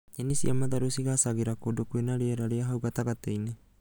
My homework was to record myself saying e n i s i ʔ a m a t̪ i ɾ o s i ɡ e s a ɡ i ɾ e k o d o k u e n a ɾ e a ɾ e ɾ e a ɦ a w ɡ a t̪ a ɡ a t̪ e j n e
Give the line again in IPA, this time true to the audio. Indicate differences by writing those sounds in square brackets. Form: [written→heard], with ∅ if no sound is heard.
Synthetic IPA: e n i s i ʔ a m a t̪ [i→a] ɾ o s i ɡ [e→a] s a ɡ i ɾ [e→a] k o d o k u e n a ɾ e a ɾ [e→a] ɾ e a ɦ a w ɡ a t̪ a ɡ a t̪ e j n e